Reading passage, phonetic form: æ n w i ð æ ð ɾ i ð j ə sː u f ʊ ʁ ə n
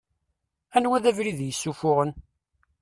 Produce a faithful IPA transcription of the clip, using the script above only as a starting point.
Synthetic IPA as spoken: æ n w æ ð æ v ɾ i ð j ə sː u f ʊ ʁ ə n